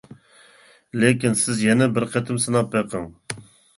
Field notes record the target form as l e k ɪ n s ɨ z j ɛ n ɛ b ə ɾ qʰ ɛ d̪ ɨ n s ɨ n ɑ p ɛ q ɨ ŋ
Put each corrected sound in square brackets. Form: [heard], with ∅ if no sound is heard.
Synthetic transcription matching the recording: l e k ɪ n s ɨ z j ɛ n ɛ b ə ɾ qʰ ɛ [t̪] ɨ [m] s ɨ n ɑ p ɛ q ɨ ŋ